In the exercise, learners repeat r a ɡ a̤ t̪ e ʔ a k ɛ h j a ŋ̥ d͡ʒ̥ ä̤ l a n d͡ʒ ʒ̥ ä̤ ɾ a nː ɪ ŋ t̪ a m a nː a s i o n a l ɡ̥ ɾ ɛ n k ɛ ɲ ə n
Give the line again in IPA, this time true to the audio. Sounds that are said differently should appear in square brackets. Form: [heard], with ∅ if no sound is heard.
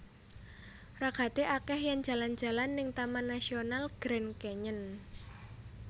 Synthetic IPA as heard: r a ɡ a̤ t̪ e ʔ a k ɛ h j a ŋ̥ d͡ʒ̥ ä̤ l a n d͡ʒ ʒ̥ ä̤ [l] a nː ɪ ŋ t̪ a m a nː a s i o n a l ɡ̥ ɾ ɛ n k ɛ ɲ ə n